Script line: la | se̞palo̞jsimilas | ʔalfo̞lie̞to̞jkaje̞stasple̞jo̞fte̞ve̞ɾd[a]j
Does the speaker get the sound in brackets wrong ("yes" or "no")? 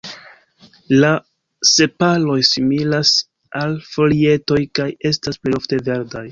no